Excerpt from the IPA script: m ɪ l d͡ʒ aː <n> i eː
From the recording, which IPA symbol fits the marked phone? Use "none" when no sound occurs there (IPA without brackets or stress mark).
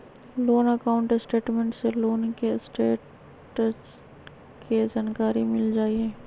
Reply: none